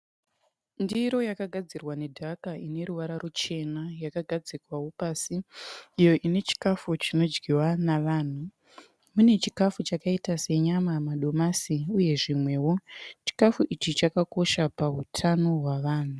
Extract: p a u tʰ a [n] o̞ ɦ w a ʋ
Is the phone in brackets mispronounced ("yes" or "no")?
no